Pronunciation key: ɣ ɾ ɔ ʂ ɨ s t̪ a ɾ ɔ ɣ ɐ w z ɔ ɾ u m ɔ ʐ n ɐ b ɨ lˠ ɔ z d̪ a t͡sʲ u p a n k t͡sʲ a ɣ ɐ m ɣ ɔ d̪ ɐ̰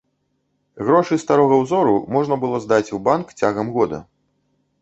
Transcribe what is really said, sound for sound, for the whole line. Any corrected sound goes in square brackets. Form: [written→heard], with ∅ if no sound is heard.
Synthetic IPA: ɣ ɾ ɔ ʂ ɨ s t̪ a ɾ ɔ ɣ ɐ w z ɔ ɾ u m ɔ ʐ n ɐ b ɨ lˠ ɔ z d̪ a t͡sʲ u [p→b] a n k t͡sʲ a ɣ ɐ m ɣ ɔ d̪ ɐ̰